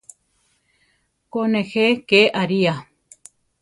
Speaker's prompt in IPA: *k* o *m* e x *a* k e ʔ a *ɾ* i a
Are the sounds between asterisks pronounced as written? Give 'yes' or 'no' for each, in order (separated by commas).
yes, no, no, yes